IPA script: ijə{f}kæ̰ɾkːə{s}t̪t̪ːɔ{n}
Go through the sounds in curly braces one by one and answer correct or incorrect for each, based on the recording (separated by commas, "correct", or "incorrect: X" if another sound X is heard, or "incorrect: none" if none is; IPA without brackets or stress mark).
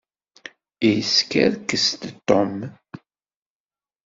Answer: incorrect: s, correct, incorrect: m